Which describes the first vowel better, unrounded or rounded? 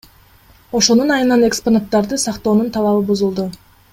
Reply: rounded